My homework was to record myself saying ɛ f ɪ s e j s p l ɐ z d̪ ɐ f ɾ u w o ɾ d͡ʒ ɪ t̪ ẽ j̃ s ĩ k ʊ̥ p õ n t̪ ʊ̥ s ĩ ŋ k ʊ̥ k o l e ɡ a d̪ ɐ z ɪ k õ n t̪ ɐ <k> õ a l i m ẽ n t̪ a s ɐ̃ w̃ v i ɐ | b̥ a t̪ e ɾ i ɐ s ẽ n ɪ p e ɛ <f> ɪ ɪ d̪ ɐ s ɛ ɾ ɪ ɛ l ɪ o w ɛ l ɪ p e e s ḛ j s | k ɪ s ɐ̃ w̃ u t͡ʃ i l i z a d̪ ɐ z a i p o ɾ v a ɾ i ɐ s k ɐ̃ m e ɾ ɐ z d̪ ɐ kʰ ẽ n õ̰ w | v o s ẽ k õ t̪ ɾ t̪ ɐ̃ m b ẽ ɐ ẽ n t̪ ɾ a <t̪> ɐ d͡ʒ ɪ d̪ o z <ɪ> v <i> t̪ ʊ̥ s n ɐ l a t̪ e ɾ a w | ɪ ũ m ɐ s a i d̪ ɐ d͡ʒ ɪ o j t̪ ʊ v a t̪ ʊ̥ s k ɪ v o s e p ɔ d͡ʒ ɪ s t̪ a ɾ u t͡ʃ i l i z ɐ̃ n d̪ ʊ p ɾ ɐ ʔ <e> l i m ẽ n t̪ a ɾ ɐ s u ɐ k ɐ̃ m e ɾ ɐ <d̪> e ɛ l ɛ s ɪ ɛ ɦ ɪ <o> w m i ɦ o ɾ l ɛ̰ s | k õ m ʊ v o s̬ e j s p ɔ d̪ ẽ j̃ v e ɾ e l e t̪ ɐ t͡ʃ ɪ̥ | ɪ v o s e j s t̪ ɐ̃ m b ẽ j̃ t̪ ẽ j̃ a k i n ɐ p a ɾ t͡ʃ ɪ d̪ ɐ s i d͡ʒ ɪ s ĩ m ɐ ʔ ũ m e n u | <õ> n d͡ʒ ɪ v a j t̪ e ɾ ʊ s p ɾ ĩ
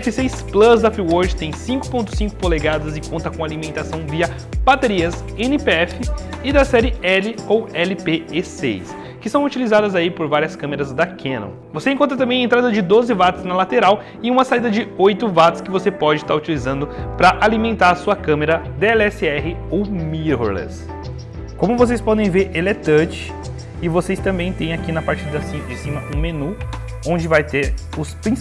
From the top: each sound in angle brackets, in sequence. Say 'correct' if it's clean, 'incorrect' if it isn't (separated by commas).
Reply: correct, correct, incorrect, correct, incorrect, incorrect, correct, correct, correct